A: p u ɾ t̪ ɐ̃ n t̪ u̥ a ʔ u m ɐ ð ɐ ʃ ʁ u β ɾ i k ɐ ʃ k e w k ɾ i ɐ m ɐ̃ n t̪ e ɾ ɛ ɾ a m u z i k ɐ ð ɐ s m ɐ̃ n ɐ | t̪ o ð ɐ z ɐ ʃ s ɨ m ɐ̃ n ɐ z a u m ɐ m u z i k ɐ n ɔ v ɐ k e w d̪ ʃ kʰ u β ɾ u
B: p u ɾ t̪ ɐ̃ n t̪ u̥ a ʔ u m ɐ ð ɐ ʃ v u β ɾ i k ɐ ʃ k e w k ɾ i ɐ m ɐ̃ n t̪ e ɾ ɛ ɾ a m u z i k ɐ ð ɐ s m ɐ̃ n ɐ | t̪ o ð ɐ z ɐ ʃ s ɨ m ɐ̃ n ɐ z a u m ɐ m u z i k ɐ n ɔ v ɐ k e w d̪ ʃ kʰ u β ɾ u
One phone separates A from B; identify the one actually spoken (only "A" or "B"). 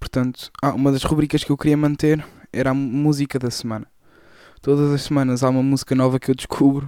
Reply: A